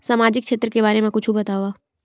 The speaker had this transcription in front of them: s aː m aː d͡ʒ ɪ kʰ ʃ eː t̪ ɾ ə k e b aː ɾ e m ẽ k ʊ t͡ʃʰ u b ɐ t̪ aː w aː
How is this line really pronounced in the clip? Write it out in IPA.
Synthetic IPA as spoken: s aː m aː d͡ʒ ɪ k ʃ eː t̪ ɾ ə k e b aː ɾ e m ẽ k ʊ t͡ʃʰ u b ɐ t̪ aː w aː